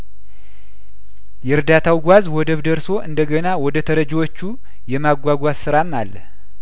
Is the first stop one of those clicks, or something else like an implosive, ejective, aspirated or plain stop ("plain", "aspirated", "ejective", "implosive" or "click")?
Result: plain